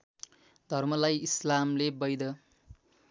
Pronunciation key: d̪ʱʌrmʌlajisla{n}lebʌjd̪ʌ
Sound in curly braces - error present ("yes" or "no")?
yes